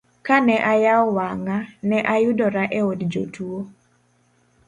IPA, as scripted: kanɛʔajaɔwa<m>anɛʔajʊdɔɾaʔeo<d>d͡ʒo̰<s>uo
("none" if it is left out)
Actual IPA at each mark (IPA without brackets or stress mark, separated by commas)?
ŋ, d, t